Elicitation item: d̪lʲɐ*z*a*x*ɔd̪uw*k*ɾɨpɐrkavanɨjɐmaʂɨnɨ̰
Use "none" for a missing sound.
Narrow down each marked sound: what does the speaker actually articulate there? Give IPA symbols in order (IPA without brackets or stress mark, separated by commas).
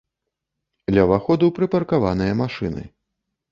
v, x, p